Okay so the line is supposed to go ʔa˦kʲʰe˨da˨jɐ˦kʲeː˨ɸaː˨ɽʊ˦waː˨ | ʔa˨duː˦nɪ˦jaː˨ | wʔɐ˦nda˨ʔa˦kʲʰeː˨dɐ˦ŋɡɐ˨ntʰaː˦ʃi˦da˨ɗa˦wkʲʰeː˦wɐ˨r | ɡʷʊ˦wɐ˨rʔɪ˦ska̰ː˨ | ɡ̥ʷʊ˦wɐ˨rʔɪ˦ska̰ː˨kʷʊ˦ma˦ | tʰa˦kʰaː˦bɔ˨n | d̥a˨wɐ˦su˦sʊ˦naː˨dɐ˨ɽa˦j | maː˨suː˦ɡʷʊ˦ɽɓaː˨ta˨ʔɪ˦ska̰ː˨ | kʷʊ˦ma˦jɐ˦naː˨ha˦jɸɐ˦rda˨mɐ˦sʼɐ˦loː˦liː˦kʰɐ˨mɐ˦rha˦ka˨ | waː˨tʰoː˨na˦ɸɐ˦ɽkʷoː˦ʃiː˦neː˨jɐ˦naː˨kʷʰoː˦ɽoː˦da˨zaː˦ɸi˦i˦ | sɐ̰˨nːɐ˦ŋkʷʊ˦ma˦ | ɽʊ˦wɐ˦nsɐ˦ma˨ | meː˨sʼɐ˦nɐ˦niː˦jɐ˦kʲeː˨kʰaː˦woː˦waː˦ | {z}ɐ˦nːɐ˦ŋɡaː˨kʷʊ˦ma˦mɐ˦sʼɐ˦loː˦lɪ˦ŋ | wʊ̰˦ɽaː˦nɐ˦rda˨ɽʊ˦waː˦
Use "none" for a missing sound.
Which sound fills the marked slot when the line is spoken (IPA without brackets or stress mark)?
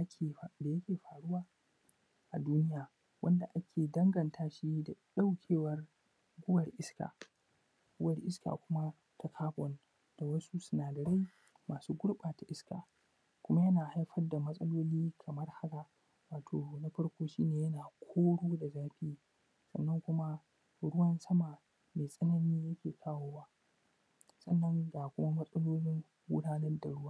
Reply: s